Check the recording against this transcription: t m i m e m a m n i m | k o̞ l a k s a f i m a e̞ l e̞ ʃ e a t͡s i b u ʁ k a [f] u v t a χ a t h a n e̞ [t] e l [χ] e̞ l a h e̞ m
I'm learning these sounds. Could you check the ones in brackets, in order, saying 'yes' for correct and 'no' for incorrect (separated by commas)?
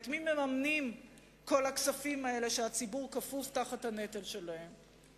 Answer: yes, yes, no